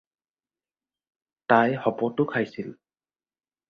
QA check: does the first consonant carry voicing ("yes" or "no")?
no